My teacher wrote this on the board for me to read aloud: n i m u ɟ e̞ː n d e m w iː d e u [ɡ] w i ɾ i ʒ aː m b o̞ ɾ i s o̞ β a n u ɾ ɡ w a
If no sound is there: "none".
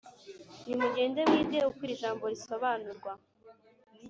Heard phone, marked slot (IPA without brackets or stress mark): k